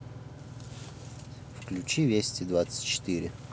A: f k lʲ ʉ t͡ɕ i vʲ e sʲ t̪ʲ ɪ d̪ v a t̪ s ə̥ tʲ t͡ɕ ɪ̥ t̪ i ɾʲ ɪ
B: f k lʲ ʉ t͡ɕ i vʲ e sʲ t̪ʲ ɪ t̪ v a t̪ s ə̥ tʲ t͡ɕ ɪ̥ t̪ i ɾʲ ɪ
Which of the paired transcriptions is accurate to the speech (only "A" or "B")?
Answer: A